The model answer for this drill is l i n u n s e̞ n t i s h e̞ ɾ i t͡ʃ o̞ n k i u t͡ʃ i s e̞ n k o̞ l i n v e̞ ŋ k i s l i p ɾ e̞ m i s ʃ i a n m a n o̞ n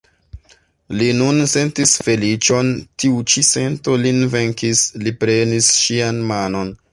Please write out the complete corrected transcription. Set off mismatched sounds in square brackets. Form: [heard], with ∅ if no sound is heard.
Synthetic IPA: l i n u n s e̞ n t i s [f] e̞ [l] i t͡ʃ o̞ n [t] i u t͡ʃ i s e̞ n [t] o̞ l i n v e̞ ŋ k i s l i p ɾ e̞ [n] i s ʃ i a n m a n o̞ n

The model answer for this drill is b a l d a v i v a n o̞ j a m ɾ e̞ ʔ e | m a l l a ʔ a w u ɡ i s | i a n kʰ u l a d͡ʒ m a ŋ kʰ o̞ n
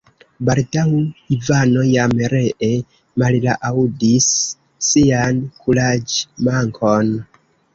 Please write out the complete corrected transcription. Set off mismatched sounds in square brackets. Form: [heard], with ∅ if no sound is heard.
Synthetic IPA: b a l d a [w] i v a n o̞ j a m ɾ e̞ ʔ e | m a l l a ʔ a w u [d] i [sː] | i a n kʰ u l a d͡ʒ m a ŋ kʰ o̞ n

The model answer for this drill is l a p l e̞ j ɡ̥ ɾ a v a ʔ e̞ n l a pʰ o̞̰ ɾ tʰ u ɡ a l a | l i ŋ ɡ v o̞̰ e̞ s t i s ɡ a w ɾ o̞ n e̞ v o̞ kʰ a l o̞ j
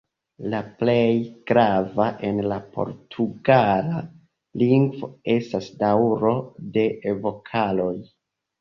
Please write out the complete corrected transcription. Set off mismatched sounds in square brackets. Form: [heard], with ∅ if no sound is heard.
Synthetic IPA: l a p l e̞ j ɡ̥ ɾ a v a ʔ e̞ n l a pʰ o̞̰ ɾ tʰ u ɡ a l a | l i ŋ ɡ v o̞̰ e̞ s t [a] s [d] a w ɾ o̞ [d] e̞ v o̞ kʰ a l o̞ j

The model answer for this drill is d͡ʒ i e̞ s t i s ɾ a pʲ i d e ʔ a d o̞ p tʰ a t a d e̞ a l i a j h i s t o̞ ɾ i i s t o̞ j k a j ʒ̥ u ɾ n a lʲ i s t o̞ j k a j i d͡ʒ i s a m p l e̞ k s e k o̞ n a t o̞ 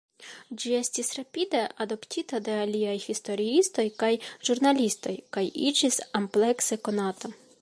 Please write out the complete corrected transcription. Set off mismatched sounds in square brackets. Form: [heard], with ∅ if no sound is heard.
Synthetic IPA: d͡ʒ i e̞ s t i s ɾ a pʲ i d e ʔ a d o̞ p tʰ [i] t a d e̞ a l i a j h i s t o̞ ɾ i i s t o̞ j k a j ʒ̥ u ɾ n a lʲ i s t o̞ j k a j i d͡ʒ i s a m p l e̞ k s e k o̞ n a t o̞

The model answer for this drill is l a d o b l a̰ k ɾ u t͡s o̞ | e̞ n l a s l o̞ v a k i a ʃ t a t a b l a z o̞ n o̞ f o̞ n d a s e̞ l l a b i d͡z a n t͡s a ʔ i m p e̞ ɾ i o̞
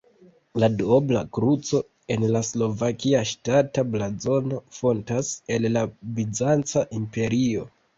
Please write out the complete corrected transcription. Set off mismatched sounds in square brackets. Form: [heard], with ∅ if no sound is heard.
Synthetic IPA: l a d o b l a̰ k ɾ u t͡s o̞ | e̞ n l a s l o̞ v a k i a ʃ t a t a b l a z o̞ n o̞ f o̞ n [t] a s e̞ l l a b i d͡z a n t͡s a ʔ i m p e̞ ɾ i o̞

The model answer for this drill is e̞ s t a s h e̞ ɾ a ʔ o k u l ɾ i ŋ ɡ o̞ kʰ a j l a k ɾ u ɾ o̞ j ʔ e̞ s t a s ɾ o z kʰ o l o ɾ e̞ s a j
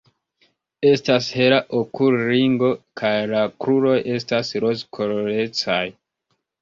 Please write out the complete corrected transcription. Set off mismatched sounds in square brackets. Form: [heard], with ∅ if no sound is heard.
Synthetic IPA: e̞ s t a s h e̞ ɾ a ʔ o k u l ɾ i ŋ ɡ o̞ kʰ a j l a k ɾ u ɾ o̞ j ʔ e̞ s t a s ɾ o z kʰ o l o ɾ e̞ [t͡s] a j

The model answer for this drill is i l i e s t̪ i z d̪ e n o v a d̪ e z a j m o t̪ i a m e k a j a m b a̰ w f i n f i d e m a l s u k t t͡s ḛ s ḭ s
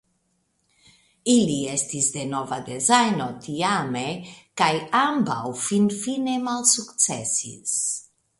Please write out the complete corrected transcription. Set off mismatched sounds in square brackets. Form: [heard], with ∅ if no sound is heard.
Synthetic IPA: i l i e s t̪ i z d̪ e n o v a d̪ e z a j [n] o t̪ i a m e k a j a m b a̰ w f i n f i [n] e m a l s u k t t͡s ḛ s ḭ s

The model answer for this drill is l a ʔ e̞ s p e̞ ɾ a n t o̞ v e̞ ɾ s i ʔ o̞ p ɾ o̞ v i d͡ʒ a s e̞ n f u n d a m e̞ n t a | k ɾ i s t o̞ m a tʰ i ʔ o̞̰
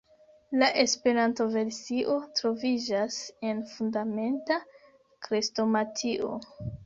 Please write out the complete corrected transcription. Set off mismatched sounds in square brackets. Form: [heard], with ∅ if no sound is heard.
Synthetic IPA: l a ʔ e̞ s p e̞ ɾ a n t o̞ v e̞ ɾ s i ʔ o̞ [t] ɾ o̞ v i d͡ʒ a s e̞ n f u n d a m e̞ n t a | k ɾ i s t o̞ m a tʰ i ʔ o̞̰

